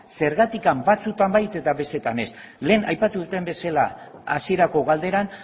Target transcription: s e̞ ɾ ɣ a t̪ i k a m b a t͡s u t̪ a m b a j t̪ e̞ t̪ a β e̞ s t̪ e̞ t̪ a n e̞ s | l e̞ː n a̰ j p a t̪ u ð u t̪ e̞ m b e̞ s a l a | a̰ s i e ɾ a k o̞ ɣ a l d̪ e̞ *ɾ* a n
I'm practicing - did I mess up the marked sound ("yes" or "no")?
no